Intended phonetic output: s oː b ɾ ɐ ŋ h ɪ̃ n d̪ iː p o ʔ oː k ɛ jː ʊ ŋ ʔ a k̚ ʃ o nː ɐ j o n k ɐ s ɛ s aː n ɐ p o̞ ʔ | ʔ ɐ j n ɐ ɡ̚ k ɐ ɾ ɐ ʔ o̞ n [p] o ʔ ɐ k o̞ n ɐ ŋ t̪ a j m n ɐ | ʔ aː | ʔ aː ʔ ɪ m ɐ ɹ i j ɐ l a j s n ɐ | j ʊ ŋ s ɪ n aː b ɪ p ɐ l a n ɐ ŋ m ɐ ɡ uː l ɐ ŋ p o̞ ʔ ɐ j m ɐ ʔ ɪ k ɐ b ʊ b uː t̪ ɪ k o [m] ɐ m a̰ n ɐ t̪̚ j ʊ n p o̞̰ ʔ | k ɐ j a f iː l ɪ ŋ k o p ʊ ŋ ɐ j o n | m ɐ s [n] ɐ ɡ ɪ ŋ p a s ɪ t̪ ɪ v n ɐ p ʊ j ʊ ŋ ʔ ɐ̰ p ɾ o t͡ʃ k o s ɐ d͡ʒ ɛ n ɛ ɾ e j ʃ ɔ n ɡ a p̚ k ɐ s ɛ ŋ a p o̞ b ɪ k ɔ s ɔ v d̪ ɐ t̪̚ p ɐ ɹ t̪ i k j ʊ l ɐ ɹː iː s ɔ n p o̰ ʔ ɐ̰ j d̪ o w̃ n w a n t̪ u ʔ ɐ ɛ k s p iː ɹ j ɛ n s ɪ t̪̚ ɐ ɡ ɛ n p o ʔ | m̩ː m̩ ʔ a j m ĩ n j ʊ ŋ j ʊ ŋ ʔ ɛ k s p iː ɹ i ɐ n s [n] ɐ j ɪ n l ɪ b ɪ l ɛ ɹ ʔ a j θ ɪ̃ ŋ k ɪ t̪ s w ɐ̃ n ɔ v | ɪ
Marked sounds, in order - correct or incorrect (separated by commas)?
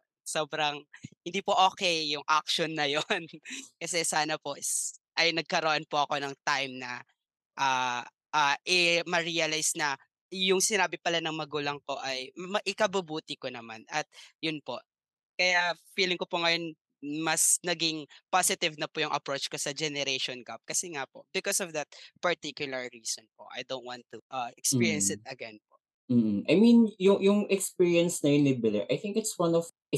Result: correct, incorrect, correct, correct